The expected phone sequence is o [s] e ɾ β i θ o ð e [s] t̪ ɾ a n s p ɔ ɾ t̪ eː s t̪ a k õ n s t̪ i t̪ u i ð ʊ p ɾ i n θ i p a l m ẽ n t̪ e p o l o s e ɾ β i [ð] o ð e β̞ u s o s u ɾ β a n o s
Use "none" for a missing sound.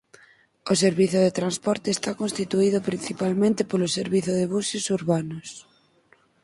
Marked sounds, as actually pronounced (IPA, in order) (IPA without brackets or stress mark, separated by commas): s, none, θ